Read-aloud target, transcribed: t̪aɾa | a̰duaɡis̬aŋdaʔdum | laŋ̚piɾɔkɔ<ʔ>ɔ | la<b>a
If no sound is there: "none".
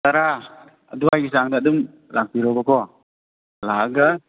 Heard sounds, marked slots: k, ɡ

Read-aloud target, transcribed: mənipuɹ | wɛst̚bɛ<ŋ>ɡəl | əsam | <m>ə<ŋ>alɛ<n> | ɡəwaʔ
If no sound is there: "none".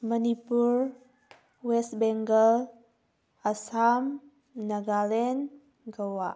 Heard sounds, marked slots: ŋ, n, ɡ, n

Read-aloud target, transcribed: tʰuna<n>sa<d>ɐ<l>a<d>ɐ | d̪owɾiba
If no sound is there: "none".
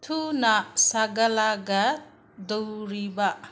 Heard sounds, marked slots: none, ɡ, l, ɡ

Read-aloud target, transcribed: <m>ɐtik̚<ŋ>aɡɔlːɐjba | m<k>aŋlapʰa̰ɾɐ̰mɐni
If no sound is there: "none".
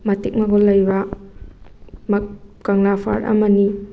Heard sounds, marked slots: m, m, k

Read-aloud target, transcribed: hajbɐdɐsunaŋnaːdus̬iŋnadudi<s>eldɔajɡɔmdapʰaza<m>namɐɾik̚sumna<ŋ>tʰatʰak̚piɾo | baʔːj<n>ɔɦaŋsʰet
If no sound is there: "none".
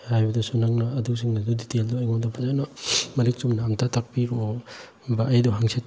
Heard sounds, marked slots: t, none, m, d

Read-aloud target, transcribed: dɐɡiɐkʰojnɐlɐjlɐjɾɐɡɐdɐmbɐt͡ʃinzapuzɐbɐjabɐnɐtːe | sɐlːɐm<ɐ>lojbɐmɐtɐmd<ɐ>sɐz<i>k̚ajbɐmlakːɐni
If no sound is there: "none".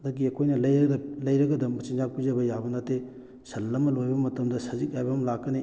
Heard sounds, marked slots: ɐ, ɐ, i

